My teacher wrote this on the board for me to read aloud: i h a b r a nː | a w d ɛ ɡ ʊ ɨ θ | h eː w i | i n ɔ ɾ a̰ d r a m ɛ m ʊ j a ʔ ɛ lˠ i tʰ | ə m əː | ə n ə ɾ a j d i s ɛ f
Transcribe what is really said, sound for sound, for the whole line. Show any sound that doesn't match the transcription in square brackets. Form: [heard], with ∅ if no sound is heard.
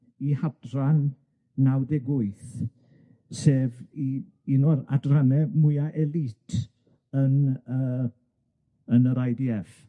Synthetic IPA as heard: i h a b r a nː | a w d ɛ ɡ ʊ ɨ θ | [s] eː [v] i | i n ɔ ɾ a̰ d r a [n] ɛ m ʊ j a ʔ ɛ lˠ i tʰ | ə [n] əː | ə n ə ɾ a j d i [∅] ɛ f